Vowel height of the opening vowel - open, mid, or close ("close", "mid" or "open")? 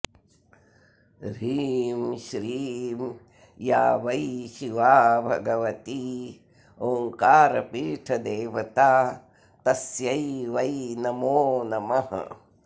close